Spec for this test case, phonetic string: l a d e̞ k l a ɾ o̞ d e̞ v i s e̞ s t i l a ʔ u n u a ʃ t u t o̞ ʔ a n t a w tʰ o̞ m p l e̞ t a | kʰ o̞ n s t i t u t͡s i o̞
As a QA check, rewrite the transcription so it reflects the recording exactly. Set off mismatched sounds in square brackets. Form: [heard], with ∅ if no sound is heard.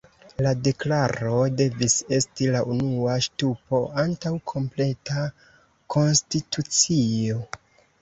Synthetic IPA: l a d e̞ k l a ɾ o̞ d e̞ v i s e̞ s t i l a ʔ u n u a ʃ t u [p] o̞ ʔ a n t a w [kʰ] o̞ m p l e̞ t a | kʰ o̞ n s t i t u t͡s i o̞

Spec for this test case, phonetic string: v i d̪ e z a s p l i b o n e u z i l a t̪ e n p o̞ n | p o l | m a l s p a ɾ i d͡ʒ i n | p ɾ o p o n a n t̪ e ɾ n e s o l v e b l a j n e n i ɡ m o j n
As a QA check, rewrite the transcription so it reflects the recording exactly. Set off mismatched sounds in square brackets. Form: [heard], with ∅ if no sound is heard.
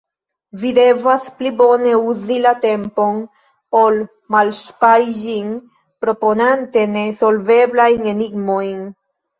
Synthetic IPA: v i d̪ e [v] a s p l i b o n e u z i l a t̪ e [m] p o̞ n | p o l | m a l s p a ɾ i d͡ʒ i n | p ɾ o p o n a n t̪ e [∅] n e s o l v e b l a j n e n i ɡ m o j n

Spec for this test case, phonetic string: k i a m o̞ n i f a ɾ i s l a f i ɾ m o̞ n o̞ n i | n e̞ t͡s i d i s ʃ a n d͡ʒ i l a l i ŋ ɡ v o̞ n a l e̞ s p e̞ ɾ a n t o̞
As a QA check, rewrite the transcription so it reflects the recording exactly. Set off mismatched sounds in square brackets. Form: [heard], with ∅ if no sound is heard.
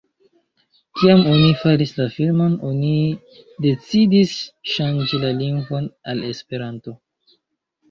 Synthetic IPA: k i a m o̞ n i f a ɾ i s l a f i [l] m o̞ n o̞ n i | [d] e̞ t͡s i d i s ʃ a n d͡ʒ i l a l i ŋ ɡ v o̞ n a l e̞ s p e̞ ɾ a n t o̞

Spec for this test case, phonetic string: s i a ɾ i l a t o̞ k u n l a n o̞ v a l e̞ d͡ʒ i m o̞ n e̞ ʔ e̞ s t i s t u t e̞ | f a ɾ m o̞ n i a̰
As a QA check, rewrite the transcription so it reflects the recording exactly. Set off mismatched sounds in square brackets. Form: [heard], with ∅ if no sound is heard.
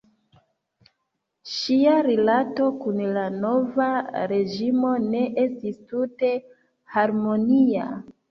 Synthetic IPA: [ʃ] i a ɾ i l a t o̞ k u n l a n o̞ v a [ɾ] e̞ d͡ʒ i m o̞ n e̞ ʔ e̞ s t i s t u t e̞ | [h] a ɾ m o̞ n i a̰

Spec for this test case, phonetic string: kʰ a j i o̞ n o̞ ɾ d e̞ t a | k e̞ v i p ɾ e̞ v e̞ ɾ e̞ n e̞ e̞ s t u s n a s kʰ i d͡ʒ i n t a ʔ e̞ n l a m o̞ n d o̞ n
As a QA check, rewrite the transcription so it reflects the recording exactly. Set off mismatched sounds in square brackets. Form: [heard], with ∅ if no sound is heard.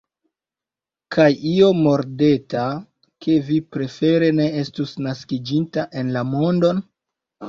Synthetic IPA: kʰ a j i o̞ [m] o̞ ɾ d e̞ t a | k e̞ v i p ɾ e̞ [f] e̞ ɾ e̞ n e̞ e̞ s t u s n a s [k] i d͡ʒ i n t a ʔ e̞ n l a m o̞ n d o̞ n

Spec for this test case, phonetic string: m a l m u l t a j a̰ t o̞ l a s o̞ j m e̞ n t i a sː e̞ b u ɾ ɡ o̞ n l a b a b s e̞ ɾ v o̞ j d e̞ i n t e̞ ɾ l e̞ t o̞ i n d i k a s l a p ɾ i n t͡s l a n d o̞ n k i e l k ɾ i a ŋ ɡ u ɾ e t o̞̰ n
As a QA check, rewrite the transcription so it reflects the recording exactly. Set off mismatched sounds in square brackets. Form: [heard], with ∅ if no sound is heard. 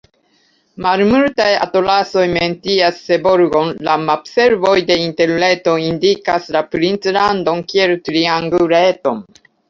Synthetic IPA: m a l m u l t a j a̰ t o̞ l a s o̞ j m e̞ n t i a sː e̞ b [o] ɾ ɡ o̞ n l a [m] a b s e̞ ɾ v o̞ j d e̞ i n t e̞ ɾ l e̞ t o̞ i n d i k a s l a p ɾ i n t͡s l a n d o̞ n k i e l [t] ɾ i a ŋ ɡ u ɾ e t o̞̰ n

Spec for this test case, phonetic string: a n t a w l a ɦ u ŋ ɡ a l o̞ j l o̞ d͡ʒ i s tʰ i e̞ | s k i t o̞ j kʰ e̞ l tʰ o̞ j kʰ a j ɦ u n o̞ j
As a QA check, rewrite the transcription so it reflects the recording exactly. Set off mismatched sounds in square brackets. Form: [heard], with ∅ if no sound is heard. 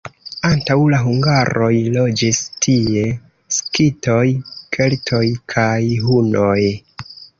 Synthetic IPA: a n t a w l a ɦ u ŋ ɡ a [ɾ] o̞ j l o̞ d͡ʒ i s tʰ i e̞ | s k i t o̞ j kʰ e̞ l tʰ o̞ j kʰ a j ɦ u n o̞ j

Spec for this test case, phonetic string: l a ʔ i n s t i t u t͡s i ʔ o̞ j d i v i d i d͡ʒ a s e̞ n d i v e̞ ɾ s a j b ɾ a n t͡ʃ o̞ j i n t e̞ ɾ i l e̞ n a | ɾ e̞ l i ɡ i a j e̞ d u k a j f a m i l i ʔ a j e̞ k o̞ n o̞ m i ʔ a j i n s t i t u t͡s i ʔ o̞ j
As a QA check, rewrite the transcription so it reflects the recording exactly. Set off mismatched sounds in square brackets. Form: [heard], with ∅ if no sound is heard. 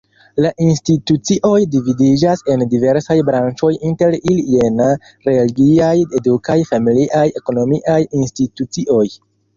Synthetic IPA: l a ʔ i n s t i t u t͡s i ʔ o̞ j d i v i d i d͡ʒ a s e̞ n d i v e̞ ɾ s a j b ɾ a n t͡ʃ o̞ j i n t e̞ ɾ i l e̞ n a | ɾ e̞ l i ɡ i a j e̞ d u k a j f a m i l i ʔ a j e̞ k o̞ n o̞ m i ʔ a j i n s t i t u t͡s i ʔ o̞ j

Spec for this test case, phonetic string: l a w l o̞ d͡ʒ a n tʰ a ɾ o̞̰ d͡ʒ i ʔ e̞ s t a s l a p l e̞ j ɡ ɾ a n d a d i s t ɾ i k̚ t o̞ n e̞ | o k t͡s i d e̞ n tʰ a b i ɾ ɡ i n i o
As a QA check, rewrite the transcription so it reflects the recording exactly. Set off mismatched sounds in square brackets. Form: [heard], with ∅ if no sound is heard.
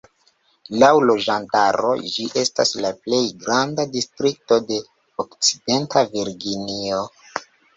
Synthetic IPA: l a w l o̞ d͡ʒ a n [t] a ɾ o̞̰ d͡ʒ i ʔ e̞ s t a s l a p l e̞ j ɡ ɾ a n d a d i s t ɾ i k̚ t o̞ [d] e̞ | o k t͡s i d e̞ n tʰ a [v] i ɾ ɡ i n i o

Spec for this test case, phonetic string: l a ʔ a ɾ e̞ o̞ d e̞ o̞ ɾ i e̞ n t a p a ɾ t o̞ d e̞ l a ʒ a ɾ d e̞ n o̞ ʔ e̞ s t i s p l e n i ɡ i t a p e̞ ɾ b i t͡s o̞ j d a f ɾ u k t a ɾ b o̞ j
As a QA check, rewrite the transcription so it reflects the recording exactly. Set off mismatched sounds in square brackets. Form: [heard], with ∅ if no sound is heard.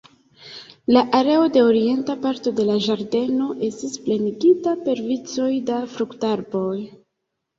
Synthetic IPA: l a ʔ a ɾ e̞ o̞ d e̞ o̞ ɾ i e̞ n t a p a ɾ t o̞ d e̞ l a ʒ a ɾ d e̞ n o̞ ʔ e̞ s t i s p l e n i ɡ i t a p e̞ ɾ [v] i t͡s o̞ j d a f ɾ u k t a ɾ b o̞ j

